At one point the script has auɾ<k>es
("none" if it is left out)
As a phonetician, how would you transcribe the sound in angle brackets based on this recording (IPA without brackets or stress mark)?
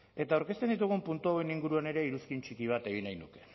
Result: k